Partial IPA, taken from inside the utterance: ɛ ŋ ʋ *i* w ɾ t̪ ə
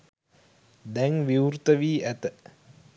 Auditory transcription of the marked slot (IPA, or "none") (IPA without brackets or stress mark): i